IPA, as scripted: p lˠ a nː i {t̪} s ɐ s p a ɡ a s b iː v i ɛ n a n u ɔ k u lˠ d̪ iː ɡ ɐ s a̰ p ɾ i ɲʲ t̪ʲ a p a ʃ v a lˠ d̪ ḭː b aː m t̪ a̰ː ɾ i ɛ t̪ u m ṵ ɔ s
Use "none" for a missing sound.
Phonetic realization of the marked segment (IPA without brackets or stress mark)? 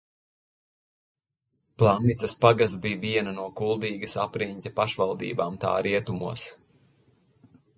t̪